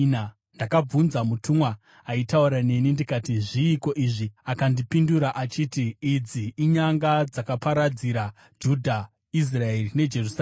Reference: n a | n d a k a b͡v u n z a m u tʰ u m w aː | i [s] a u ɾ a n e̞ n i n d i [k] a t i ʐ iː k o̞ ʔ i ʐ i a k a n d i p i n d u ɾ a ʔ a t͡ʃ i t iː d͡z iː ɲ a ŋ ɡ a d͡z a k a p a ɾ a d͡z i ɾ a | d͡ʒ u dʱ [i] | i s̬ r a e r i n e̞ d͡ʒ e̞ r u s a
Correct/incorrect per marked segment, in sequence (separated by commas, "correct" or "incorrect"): incorrect, correct, incorrect